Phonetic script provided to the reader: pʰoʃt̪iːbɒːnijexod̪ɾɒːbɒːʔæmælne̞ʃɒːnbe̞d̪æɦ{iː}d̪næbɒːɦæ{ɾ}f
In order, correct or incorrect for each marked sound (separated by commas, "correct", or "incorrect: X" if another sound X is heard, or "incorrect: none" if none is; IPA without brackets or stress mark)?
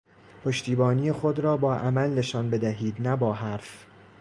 correct, correct